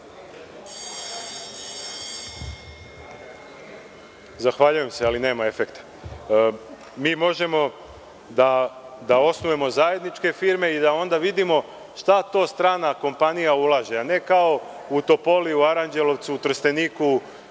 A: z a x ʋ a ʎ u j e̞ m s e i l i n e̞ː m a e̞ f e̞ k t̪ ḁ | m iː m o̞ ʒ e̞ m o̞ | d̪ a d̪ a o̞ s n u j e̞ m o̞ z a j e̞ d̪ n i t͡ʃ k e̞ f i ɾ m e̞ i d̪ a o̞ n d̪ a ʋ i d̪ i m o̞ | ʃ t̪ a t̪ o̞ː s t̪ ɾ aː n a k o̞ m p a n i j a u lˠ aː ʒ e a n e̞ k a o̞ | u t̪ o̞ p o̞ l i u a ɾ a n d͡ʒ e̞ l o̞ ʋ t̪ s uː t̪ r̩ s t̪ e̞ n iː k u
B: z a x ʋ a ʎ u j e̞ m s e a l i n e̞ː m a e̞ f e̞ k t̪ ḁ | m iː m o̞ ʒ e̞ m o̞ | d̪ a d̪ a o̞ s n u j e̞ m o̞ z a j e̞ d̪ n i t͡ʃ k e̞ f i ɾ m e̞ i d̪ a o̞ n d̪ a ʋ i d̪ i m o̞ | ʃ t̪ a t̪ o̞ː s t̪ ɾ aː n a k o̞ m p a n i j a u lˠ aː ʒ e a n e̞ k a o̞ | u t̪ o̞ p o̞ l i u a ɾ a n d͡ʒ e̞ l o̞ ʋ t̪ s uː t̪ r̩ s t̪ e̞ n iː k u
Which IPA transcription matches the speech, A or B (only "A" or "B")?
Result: B